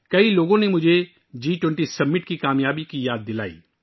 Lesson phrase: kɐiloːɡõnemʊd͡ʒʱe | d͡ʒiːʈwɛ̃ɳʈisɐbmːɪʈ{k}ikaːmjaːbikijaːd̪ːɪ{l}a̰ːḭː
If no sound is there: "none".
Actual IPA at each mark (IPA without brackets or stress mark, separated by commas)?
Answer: k, l